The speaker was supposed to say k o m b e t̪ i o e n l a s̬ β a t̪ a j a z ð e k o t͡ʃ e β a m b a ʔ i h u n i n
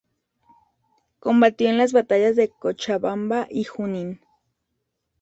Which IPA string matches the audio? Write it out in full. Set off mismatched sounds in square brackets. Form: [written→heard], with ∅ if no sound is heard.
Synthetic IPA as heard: k o m b [e→a] t̪ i o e n l a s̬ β a t̪ a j a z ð e k o t͡ʃ [e→a] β a m b a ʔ i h u n i n